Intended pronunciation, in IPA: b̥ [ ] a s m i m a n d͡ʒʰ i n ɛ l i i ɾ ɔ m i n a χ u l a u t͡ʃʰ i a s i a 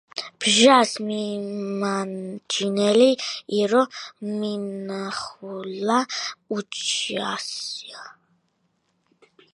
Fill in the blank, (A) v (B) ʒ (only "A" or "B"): B